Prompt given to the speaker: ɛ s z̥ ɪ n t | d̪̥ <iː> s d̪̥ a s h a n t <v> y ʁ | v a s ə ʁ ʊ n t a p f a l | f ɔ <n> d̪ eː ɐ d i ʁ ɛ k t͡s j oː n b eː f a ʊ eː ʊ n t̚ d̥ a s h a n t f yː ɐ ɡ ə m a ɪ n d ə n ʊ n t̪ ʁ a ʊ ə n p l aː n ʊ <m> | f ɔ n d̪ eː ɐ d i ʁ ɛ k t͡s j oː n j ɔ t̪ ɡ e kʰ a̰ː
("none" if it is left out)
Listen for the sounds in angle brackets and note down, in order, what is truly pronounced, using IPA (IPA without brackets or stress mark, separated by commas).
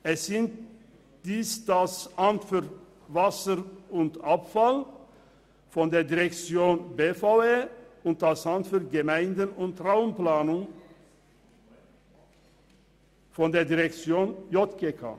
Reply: iː, f, n, ŋ